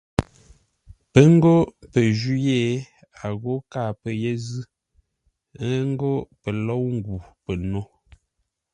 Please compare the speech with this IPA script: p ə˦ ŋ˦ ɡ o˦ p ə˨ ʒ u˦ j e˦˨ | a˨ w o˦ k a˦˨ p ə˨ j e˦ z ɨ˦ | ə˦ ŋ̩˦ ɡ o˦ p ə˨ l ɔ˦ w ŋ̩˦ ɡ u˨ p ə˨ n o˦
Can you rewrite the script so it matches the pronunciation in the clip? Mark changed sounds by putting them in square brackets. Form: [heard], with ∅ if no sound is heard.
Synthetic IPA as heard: p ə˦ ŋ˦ ɡ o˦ p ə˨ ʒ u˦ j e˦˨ | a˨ [ɣ] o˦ k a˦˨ p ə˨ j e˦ z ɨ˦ | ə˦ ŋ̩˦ ɡ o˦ p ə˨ l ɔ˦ w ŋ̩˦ ɡ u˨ p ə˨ n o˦